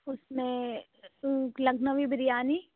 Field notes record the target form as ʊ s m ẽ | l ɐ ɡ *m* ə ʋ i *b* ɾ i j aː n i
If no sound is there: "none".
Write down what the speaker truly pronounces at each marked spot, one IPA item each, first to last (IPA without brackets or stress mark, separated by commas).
n, b